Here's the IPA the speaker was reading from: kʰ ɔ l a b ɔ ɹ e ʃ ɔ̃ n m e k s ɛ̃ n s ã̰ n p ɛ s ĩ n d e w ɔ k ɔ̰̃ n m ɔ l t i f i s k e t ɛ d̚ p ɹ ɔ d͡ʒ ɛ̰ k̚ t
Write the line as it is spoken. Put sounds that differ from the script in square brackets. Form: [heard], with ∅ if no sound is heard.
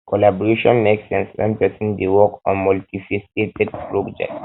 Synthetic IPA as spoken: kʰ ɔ l a b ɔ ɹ e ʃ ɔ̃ n m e k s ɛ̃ n s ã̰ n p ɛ s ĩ n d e w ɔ k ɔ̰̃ n m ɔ l t i f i s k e t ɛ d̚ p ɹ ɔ d͡ʒ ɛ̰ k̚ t